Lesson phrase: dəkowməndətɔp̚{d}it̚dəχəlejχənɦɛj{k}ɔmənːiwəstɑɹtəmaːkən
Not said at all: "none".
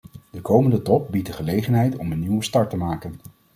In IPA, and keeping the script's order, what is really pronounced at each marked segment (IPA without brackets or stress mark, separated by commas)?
b, t